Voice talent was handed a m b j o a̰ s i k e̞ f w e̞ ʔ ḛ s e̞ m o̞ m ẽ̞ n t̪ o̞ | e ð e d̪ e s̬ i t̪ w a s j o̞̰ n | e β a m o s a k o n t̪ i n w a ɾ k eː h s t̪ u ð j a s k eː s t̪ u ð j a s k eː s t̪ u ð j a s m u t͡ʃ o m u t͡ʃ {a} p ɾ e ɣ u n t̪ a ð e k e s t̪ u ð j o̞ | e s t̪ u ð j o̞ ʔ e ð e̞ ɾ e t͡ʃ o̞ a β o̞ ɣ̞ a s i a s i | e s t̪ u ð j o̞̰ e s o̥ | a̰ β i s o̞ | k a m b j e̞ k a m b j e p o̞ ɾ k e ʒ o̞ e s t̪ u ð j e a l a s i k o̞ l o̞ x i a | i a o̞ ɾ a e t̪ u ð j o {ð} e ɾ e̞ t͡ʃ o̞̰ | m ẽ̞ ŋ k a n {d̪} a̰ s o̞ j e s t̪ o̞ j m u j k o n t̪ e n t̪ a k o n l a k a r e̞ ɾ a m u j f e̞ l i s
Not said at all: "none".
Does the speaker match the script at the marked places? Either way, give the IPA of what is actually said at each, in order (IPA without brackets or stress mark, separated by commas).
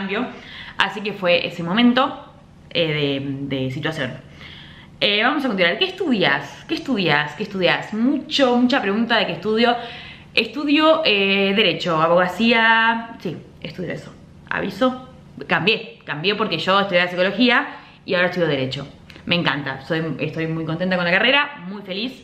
a, ð, t̪